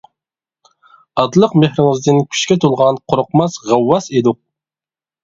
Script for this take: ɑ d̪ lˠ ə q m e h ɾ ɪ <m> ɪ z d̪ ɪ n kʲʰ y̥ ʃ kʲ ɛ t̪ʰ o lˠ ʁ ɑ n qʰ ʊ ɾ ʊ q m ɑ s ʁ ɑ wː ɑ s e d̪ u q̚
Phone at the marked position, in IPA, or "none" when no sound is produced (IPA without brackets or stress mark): ŋ